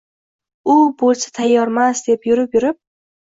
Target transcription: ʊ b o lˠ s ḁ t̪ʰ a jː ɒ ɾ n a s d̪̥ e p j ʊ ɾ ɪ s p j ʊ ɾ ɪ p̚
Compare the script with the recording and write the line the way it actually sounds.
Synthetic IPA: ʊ b o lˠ s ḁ t̪ʰ a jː ɒ ɾ m a s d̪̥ e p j ʊ ɾ ɪ p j ʊ ɾ ɪ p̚